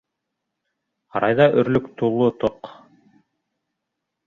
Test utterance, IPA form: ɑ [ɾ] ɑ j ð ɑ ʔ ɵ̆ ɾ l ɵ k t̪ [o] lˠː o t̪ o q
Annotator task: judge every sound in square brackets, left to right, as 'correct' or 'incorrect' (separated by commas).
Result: correct, incorrect